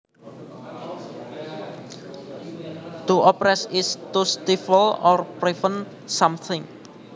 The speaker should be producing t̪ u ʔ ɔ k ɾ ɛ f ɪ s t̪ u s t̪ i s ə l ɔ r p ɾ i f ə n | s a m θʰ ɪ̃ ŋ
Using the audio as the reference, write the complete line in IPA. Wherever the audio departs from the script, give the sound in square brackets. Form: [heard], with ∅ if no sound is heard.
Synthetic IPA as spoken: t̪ u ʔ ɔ [p] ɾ ɛ [s] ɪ s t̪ u s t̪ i [f] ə l ɔ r p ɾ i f ə n | s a m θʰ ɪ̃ ŋ